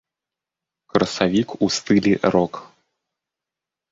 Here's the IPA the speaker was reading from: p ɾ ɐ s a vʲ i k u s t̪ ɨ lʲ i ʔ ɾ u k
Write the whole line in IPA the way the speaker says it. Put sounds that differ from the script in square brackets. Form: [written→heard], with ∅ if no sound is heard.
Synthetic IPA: [p→k] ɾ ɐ s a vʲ i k u s t̪ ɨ lʲ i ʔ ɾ [u→ɔ] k

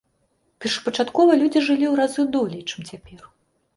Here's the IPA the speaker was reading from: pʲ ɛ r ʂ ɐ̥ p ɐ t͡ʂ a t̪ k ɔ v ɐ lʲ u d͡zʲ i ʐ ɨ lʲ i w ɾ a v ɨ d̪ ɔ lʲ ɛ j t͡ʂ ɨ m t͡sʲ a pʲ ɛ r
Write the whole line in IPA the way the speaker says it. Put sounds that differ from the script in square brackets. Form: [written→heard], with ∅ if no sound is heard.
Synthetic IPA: pʲ ɛ r ʂ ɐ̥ p ɐ t͡ʂ a t̪ k ɔ v ɐ lʲ u d͡zʲ i ʐ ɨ lʲ i w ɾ a [v→z] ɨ d̪ ɔ lʲ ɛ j t͡ʂ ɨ m t͡sʲ a pʲ ɛ r

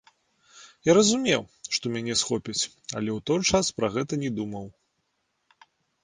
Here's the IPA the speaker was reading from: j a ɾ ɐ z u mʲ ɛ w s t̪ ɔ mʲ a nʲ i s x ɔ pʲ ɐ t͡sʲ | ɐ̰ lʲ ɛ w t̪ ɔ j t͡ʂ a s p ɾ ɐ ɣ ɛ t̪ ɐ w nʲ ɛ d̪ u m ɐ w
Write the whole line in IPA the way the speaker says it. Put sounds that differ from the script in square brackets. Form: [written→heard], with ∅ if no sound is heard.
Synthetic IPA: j a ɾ ɐ z u mʲ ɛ w [s→ʂ] t̪ ɔ mʲ a nʲ [i→ɛ] s x ɔ pʲ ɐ t͡sʲ | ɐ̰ lʲ ɛ w t̪ ɔ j t͡ʂ a s p ɾ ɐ ɣ ɛ t̪ ɐ [w→∅] nʲ ɛ d̪ u m ɐ w

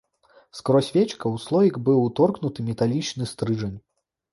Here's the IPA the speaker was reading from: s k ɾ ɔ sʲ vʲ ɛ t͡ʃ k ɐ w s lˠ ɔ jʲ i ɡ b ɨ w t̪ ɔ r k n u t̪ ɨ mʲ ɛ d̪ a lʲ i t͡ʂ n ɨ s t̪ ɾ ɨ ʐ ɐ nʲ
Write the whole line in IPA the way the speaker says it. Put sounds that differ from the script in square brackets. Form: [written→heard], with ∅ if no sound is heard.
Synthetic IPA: s k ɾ ɔ sʲ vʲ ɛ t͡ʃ k ɐ w s lˠ ɔ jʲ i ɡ b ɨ w t̪ ɔ r k n u t̪ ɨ mʲ ɛ [d̪→t̪] a lʲ i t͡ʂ n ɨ s t̪ ɾ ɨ ʐ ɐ nʲ

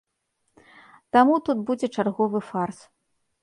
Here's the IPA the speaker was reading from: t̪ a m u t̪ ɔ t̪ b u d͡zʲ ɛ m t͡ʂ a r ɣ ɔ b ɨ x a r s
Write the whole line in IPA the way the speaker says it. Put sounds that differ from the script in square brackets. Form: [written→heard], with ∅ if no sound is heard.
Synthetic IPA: t̪ a m u t̪ [ɔ→u] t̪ b u d͡zʲ ɛ [m→∅] t͡ʂ a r ɣ ɔ [b→v] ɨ [x→f] a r s

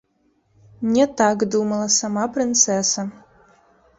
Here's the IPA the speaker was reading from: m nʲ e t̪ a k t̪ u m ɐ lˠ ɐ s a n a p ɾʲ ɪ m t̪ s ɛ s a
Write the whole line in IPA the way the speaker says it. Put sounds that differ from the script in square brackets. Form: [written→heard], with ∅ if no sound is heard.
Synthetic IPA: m nʲ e t̪ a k [t̪→d̪] u m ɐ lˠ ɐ s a [n→m] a p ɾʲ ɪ [m→n] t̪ s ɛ s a

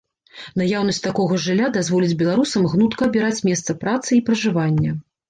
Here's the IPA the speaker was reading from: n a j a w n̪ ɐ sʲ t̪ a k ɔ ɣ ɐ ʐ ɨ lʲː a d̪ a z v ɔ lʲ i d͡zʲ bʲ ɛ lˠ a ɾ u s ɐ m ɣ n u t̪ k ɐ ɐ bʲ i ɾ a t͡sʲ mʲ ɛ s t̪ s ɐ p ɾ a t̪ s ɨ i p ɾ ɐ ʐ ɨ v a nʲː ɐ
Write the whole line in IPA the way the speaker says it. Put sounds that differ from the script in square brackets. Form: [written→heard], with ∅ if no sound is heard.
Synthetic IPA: n a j a w n̪ ɐ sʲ t̪ a k ɔ ɣ ɐ ʐ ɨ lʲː a d̪ a z v ɔ lʲ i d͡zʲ bʲ ɛ lˠ a ɾ u s ɐ m ɣ n u t̪ k ɐ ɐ bʲ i ɾ a t͡sʲ mʲ ɛ s t̪ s ɐ p ɾ a t̪ s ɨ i p ɾ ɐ ʐ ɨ v a nʲː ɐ

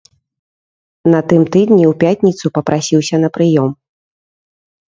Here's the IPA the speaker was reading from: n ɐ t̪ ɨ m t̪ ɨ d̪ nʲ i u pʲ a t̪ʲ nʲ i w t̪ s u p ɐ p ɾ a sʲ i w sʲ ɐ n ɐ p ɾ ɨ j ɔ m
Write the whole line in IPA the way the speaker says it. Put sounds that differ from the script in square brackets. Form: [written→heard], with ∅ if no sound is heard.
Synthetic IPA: n ɐ t̪ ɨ m t̪ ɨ d̪ nʲ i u pʲ a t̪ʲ nʲ i [w→∅] t̪ s u p ɐ p ɾ a sʲ i w sʲ ɐ n ɐ p ɾ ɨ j ɔ m

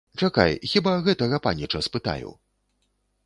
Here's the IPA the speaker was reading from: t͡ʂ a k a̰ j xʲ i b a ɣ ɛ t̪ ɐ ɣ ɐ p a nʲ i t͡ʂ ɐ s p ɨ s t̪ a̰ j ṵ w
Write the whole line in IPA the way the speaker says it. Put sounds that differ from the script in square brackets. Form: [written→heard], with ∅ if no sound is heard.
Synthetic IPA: t͡ʂ a k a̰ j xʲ i b a ɣ ɛ t̪ ɐ ɣ ɐ p a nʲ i t͡ʂ ɐ s p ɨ [s→∅] t̪ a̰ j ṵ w

